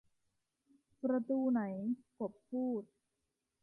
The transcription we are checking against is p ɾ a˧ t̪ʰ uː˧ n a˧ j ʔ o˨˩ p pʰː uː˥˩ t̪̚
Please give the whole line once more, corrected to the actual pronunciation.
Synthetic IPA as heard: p ɾ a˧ t̪ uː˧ n a˩˦ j k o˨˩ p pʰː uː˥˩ t̪̚